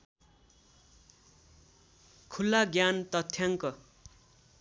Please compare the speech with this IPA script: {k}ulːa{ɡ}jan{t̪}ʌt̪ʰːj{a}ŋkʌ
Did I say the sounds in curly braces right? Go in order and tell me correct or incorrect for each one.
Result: incorrect, correct, correct, correct

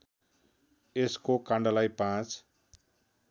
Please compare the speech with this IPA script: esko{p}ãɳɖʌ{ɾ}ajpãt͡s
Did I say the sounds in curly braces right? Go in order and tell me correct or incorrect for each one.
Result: incorrect, incorrect

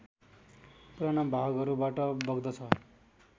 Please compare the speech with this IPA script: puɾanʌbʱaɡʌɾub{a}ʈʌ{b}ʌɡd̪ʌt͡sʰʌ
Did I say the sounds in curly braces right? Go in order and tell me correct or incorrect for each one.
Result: correct, correct

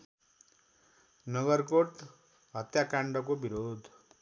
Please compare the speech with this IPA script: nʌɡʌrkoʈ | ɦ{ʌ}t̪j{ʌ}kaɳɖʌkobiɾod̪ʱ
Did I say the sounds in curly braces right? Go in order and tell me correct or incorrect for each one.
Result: correct, incorrect

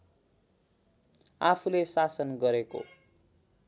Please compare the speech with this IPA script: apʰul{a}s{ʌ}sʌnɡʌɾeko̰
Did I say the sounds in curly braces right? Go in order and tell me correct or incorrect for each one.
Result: incorrect, incorrect

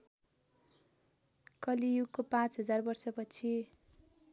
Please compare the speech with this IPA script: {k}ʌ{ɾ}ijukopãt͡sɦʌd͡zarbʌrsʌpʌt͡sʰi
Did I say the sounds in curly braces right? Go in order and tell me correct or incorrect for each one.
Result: correct, incorrect

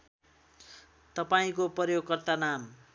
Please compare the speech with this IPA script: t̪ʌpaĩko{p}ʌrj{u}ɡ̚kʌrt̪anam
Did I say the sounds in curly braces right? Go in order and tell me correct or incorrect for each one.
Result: correct, incorrect

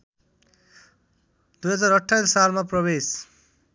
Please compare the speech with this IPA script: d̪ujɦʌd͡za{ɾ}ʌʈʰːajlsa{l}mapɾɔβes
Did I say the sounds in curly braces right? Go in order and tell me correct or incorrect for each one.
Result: correct, correct

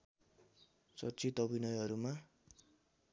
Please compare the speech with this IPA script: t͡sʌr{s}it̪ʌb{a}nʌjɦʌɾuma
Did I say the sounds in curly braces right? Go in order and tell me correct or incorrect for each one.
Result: incorrect, incorrect

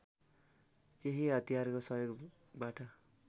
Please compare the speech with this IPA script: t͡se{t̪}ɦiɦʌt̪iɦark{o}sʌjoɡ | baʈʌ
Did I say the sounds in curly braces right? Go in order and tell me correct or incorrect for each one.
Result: incorrect, correct

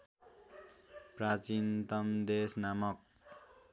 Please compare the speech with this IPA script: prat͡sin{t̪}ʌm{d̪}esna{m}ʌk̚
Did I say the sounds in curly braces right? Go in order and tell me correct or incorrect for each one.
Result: correct, correct, correct

